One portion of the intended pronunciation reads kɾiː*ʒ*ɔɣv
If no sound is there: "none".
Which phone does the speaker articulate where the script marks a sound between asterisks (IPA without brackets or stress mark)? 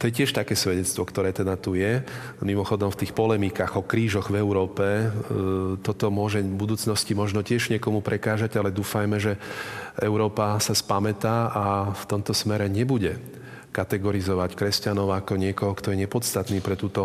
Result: ʒ